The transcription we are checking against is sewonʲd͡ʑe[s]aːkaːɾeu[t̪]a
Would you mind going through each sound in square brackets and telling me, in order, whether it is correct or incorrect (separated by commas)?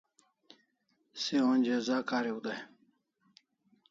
incorrect, incorrect